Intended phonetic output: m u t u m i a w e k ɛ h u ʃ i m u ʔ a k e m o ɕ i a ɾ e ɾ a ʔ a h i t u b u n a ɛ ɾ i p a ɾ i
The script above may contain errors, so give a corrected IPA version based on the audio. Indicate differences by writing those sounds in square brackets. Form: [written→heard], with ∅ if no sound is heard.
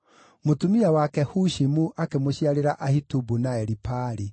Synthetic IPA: m [u→o] t u m i a w [e→a] k ɛ h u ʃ i m u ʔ a k e m o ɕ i a ɾ e ɾ a ʔ a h i t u b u n a ɛ ɾ i p a ɾ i